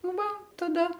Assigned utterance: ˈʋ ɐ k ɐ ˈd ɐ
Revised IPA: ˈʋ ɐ t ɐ ˈd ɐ